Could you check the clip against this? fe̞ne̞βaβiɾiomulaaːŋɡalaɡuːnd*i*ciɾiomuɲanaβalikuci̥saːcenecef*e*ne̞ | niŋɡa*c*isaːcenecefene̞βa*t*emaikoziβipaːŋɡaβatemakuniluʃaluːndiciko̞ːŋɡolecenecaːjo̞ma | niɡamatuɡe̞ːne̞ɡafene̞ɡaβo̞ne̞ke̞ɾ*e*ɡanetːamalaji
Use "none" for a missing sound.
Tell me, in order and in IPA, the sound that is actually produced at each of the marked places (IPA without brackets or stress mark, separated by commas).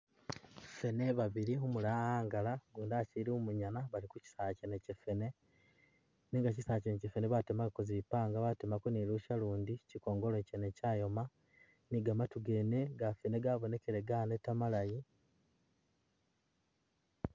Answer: a, e, c, t, e